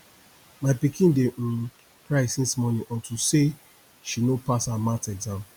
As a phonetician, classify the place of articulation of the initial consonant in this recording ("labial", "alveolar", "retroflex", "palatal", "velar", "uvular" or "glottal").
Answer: labial